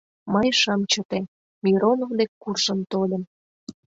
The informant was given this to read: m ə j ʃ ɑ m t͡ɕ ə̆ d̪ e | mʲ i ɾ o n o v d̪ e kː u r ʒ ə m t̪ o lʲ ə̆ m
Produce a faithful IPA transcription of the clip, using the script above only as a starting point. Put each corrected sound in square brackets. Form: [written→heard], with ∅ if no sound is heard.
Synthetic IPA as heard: m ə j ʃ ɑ m t͡ɕ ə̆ [d̪→t̪] e | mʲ i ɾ o n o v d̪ e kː u r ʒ ə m t̪ o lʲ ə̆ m